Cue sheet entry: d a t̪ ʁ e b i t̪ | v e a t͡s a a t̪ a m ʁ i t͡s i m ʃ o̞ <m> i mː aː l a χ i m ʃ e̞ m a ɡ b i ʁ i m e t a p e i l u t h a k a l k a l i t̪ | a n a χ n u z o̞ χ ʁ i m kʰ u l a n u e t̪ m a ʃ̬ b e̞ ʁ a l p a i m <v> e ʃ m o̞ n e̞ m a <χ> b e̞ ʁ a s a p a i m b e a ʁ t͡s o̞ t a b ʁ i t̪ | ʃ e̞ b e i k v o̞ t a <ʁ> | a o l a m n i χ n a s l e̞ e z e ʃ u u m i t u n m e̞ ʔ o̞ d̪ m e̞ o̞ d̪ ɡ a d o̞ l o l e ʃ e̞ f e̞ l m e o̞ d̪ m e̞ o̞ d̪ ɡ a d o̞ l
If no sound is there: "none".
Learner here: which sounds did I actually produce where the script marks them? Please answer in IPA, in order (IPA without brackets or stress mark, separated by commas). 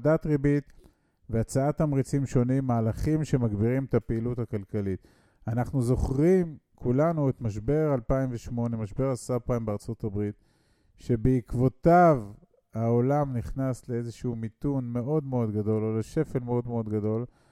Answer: n, v, ʃ, v